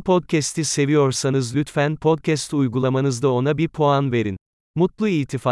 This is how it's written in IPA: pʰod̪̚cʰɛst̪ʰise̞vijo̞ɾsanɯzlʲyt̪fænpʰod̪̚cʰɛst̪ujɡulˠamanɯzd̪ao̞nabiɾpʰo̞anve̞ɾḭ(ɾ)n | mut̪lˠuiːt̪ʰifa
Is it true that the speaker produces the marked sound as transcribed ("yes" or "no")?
no